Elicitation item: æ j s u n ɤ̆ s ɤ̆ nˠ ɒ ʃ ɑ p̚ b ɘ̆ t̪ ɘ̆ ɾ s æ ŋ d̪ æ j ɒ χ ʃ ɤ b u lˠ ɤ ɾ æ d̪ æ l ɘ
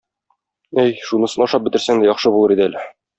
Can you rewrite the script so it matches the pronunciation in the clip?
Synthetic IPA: æ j ʃ u n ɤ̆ s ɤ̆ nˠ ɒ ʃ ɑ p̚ b ɘ̆ t̪ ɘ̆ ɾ s æ ŋ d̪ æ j ɒ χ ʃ ɤ b u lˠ ɤ ɾ i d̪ æ l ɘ

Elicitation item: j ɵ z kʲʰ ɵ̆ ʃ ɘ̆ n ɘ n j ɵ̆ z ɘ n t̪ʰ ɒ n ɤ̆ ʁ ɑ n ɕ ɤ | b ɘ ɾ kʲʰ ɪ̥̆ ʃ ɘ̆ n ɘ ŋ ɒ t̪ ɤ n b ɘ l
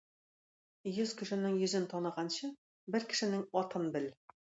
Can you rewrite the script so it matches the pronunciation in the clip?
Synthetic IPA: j ɵ z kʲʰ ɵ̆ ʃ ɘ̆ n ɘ ŋ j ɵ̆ z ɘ n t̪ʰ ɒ n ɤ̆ ʁ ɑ n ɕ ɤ | b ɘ ɾ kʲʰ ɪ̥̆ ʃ ɘ̆ n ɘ ŋ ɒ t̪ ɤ n b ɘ l

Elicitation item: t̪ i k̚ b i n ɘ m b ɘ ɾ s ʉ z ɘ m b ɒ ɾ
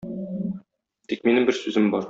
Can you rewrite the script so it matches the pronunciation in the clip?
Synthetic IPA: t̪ i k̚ m i n ɘ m b ɘ ɾ s ʉ z ɘ m b ɒ ɾ

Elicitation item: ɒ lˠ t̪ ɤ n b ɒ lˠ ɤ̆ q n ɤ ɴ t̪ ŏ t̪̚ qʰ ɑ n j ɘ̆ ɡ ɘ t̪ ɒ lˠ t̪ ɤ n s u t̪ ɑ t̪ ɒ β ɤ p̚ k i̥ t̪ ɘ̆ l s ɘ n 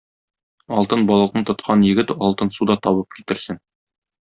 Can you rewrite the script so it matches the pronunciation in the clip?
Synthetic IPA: ɒ lˠ t̪ ɤ n b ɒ lˠ ɤ̆ q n ɤ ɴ t̪ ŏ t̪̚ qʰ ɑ n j ɘ̆ ɡ ɘ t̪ ɒ lˠ t̪ ɤ n s u d̪ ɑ t̪ ɒ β ɤ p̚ k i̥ t̪ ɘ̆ ɾ s ɘ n

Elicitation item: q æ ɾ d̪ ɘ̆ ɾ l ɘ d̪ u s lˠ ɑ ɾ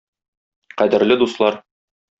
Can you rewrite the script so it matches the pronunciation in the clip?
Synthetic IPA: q æ d̪ ɘ̆ ɾ l ɘ d̪ u s lˠ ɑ ɾ

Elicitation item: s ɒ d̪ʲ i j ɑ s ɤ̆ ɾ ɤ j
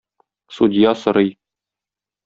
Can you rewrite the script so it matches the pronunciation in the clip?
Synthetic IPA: s u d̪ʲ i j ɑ s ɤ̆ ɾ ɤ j

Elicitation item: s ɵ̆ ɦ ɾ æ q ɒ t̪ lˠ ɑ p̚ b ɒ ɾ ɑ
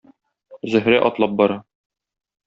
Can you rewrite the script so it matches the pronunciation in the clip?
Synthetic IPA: z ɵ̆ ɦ ɾ æ ʔ ɒ t̪ lˠ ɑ p̚ b ɒ ɾ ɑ

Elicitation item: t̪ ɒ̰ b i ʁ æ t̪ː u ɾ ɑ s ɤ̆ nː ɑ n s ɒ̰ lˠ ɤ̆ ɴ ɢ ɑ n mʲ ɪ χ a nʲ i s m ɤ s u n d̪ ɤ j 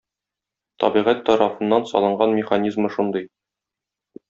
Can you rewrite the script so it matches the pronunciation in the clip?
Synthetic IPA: t̪ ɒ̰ b i ʁ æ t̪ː ɒ ɾ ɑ f ɤ̆ nː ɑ n s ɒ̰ lˠ ɤ̆ ɴ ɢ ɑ n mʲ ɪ χ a nʲ i z m ɤ ʃ u n d̪ ɤ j

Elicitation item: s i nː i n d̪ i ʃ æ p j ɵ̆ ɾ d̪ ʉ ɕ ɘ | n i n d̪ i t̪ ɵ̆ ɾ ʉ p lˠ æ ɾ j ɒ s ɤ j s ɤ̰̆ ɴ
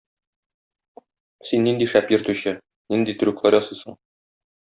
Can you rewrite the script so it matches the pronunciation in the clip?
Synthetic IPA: s i nː i n d̪ i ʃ æ p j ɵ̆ ɾ t̪ ʉ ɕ ɘ | n i n d̪ i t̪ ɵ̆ ɾ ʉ k lˠ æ ɾ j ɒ s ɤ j s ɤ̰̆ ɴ

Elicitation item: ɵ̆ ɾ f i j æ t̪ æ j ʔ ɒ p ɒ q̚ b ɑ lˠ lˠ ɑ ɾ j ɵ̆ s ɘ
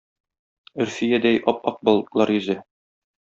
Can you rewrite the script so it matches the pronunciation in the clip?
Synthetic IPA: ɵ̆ ɾ f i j æ d̪ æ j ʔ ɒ p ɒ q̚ b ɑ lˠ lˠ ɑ ɾ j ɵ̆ z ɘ

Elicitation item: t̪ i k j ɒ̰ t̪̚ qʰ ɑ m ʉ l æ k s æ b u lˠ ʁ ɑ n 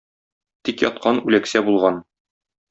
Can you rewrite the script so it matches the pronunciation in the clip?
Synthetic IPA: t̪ i k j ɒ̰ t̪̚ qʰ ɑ n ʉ l æ k s æ b u lˠ ʁ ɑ n

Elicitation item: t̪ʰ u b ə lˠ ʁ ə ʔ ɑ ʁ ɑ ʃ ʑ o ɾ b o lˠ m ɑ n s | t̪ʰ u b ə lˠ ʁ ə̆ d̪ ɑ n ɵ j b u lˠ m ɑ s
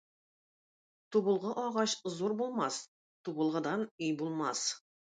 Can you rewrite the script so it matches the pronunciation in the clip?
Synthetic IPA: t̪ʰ u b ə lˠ ʁ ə ʔ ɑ ʁ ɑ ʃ z o ɾ b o lˠ m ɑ s | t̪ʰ u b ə lˠ ʁ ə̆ d̪ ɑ n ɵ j b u lˠ m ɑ s

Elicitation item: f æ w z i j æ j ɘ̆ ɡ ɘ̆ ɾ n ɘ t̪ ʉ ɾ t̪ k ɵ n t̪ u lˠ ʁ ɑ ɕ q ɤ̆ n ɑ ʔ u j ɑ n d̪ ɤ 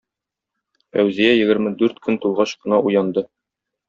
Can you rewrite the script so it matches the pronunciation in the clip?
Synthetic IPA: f æ w z i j æ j ɘ̆ ɡ ɘ̆ ɾ m ɘ d̪ ʉ ɾ t̪ k ɵ n t̪ u lˠ ʁ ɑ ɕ q ɤ̆ n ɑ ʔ u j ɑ n d̪ ɤ

